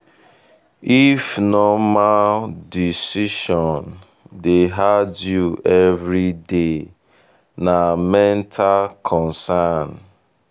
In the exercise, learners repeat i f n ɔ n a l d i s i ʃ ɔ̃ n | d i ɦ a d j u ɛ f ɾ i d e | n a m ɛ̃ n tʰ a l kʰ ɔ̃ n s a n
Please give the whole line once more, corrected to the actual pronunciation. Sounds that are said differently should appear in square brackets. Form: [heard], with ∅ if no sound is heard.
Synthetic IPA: i f n ɔ [m] a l d i s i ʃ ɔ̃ n | d [e] ɦ a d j u ɛ [v] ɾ i d e | n a m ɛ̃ n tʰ a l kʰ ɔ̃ n s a n